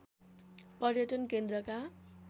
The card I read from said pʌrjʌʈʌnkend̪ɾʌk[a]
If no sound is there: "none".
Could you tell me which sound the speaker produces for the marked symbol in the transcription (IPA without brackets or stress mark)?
a